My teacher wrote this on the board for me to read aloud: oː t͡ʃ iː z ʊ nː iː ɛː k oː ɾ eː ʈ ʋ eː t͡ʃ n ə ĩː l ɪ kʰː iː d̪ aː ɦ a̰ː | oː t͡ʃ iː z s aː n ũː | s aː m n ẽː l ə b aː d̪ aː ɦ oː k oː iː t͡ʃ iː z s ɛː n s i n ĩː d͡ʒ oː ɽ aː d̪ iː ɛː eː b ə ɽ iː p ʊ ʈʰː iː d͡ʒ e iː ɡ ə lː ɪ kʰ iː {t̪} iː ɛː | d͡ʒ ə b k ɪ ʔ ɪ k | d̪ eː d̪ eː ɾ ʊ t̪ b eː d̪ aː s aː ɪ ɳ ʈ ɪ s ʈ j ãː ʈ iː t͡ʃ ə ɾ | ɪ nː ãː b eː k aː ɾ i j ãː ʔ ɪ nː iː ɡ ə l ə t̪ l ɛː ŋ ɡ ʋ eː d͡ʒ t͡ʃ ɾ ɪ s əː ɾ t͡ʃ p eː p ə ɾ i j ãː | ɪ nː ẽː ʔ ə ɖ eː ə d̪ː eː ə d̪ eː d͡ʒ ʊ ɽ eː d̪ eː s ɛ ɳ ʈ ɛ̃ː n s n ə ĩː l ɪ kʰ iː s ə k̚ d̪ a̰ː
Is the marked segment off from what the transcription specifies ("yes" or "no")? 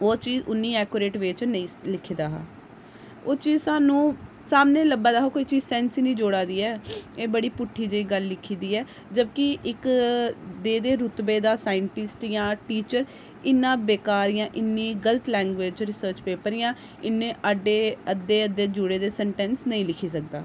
yes